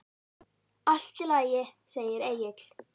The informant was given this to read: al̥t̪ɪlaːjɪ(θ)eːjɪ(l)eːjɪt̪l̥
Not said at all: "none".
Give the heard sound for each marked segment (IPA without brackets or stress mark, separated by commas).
s, ɾ